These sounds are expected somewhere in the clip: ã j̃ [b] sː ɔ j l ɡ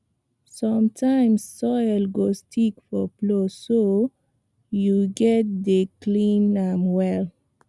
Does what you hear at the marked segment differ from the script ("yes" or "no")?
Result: yes